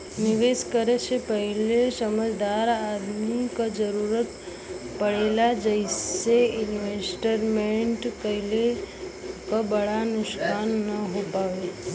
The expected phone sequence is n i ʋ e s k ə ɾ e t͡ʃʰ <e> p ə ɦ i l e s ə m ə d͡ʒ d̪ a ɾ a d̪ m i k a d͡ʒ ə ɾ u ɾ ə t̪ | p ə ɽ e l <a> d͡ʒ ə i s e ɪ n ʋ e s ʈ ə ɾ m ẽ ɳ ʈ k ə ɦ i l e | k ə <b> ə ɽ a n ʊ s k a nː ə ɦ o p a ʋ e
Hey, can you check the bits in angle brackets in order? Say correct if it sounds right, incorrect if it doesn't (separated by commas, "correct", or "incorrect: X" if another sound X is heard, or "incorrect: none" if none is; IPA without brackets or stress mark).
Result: correct, correct, correct